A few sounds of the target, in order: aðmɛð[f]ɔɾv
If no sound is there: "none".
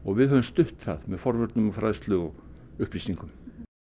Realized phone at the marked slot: f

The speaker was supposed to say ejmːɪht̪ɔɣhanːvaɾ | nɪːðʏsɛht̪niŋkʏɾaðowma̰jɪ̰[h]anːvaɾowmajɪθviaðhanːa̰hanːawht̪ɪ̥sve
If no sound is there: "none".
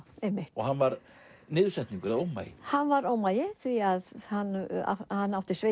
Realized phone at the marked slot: h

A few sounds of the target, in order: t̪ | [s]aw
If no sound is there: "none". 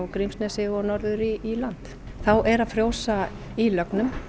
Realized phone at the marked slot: θ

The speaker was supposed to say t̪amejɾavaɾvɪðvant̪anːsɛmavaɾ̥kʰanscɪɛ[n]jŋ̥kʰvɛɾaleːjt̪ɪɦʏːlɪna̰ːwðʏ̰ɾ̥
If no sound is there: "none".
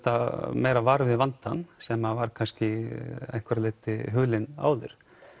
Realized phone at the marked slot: none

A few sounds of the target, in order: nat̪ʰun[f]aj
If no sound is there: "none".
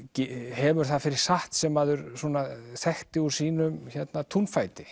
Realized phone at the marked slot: f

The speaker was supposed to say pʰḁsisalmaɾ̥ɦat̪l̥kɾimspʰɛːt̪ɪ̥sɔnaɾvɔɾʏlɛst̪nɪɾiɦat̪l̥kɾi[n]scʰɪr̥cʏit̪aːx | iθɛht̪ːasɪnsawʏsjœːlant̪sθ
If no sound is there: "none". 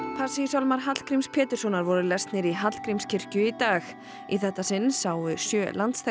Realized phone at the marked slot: m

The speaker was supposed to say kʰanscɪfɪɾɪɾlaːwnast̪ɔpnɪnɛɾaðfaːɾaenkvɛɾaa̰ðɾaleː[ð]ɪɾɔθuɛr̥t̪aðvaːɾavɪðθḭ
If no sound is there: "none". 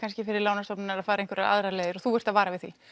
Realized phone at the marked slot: ð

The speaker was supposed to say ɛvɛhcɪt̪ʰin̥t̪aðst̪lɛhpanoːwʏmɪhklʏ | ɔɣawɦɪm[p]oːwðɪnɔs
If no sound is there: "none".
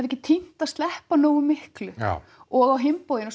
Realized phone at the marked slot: p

